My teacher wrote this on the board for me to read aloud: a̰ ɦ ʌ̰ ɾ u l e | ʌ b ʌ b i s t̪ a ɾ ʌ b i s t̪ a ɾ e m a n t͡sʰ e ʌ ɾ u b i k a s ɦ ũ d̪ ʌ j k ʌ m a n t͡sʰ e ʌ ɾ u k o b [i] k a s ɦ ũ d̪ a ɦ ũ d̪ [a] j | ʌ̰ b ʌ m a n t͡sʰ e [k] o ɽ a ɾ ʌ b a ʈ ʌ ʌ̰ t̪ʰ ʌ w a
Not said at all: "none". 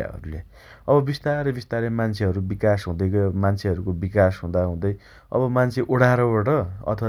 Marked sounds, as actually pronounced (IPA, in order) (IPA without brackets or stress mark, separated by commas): i, ʌ, ʔ